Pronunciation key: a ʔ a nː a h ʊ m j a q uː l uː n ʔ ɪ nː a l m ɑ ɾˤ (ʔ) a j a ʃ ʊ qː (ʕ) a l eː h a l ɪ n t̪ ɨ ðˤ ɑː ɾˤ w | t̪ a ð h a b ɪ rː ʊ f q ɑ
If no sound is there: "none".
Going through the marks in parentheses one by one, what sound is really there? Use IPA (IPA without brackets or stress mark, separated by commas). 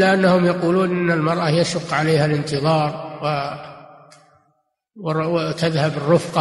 ʔ, ʕ